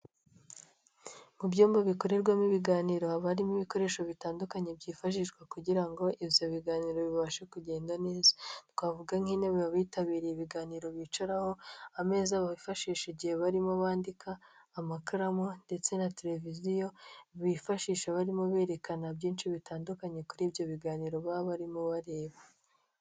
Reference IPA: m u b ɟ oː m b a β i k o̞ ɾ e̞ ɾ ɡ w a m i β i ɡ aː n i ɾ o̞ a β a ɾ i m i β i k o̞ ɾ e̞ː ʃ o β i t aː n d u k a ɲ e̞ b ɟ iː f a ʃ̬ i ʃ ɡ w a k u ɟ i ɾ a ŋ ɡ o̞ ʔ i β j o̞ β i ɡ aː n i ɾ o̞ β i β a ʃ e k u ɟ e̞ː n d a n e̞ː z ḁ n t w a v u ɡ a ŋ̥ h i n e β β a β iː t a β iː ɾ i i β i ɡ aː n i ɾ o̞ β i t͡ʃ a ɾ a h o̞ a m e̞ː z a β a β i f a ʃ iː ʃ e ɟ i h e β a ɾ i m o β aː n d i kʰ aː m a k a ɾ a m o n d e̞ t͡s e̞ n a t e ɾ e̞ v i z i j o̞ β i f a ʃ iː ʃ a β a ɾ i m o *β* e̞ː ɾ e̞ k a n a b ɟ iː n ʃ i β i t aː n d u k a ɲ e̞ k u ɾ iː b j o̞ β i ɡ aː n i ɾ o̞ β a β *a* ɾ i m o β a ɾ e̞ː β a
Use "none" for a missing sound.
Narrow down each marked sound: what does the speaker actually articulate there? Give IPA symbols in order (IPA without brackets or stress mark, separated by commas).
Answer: β, a